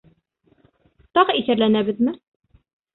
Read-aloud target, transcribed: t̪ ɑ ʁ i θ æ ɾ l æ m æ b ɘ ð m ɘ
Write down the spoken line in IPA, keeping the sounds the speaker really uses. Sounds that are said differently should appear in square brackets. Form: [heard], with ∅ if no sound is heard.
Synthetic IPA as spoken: t̪ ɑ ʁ i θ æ ɾ l æ [n] æ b ɘ ð m ɘ